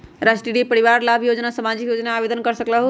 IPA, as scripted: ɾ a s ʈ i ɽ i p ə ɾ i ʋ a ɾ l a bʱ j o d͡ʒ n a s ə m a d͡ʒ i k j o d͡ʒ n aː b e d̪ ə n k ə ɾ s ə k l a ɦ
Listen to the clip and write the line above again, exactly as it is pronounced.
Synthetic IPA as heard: ɾ a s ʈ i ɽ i p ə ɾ i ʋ a ɾ l a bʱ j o d͡ʒ n a s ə m a d͡ʒ i k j o d͡ʒ n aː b e d̪ ə n k ə ɾ s ə k l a ɦ